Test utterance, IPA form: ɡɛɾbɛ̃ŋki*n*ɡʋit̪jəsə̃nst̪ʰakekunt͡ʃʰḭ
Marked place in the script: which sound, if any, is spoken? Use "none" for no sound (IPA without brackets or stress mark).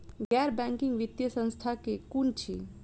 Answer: ŋ